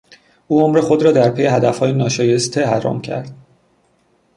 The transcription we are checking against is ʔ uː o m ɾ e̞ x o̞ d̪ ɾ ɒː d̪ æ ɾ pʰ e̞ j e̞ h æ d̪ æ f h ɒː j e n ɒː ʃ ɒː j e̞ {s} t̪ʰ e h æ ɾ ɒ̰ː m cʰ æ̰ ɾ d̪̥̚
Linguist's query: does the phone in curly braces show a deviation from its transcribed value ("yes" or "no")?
no